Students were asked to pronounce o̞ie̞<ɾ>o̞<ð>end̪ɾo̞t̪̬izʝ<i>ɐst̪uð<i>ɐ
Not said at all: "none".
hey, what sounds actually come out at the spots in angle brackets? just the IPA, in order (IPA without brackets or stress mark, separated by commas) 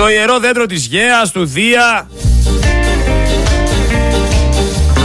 ɾ, ð, e, i